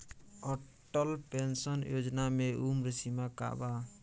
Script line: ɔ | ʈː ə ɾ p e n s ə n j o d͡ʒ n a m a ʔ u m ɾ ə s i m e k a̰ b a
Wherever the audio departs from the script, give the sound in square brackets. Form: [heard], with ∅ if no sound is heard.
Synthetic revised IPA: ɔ | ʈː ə [l] p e n s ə n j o d͡ʒ n a m [e] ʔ u m ɾ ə s i m [a] k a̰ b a